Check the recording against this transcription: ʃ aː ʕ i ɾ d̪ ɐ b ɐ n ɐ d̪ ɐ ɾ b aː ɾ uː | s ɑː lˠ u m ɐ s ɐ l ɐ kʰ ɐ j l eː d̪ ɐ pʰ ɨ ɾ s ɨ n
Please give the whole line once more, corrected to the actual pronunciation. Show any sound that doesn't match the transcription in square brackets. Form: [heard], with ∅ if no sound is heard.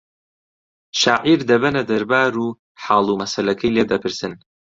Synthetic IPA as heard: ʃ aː ʕ i ɾ d̪ ɐ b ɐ n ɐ d̪ ɐ ɾ b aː ɾ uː | [ħ] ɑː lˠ u m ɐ s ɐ l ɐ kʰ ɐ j l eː d̪ ɐ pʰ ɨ ɾ s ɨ n